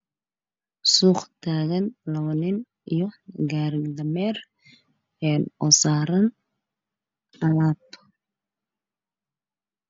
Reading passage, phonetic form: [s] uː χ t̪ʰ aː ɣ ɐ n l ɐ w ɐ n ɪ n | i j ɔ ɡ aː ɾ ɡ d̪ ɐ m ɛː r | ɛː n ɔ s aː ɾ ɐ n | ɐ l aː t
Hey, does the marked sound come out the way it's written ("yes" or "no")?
yes